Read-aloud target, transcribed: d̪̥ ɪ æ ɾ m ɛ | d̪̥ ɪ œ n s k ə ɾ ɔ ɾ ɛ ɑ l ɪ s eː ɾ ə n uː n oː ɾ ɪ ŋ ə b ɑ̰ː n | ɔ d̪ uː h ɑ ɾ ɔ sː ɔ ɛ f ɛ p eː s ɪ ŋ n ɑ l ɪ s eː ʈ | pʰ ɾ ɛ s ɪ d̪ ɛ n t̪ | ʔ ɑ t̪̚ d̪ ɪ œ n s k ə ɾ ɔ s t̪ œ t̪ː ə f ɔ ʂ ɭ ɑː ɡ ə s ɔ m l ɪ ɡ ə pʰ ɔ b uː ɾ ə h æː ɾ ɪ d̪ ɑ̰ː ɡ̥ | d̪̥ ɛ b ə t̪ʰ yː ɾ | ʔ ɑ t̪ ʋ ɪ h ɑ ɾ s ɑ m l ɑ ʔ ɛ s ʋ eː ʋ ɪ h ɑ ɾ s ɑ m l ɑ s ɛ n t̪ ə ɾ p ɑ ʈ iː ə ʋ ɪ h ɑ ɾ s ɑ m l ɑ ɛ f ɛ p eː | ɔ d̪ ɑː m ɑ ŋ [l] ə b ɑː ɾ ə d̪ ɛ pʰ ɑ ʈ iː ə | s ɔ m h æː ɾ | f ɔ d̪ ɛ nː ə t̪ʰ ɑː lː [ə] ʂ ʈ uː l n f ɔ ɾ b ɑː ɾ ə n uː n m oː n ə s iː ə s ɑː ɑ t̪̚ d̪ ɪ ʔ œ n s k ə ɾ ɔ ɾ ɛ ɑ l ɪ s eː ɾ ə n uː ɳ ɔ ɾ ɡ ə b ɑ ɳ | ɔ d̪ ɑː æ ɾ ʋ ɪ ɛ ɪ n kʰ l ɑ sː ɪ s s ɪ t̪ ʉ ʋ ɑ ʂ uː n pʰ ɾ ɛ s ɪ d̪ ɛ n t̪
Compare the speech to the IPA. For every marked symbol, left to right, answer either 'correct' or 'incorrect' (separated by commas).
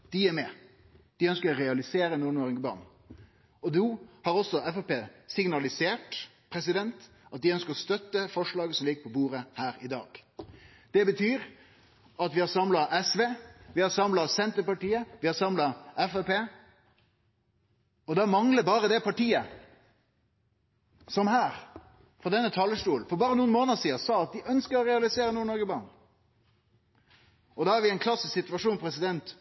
correct, correct